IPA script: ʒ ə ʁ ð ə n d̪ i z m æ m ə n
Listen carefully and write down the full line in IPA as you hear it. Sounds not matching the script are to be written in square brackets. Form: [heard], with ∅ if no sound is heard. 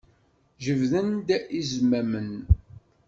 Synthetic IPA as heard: ʒ ə [v] ð ə n d̪ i z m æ m ə n